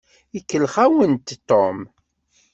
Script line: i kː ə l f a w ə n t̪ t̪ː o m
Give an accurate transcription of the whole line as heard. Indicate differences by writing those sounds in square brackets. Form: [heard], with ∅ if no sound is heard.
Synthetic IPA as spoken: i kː ə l [χ] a w ə n t̪ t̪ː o m